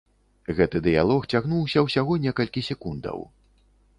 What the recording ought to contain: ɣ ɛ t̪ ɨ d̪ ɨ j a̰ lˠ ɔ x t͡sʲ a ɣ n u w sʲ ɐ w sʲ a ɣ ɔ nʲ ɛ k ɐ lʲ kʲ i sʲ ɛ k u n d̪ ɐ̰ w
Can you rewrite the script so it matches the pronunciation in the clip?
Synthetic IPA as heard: ɣ ɛ t̪ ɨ d̪ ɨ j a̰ lˠ ɔ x t͡sʲ a ɣ n u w sʲ ɐ w sʲ a ɣ ɔ nʲ ɛ k ɐ lʲ kʲ i sʲ ɛ k u n d̪ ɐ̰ w